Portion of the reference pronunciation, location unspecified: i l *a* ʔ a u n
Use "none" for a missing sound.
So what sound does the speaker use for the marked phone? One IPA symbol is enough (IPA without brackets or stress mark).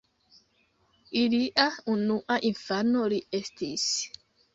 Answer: i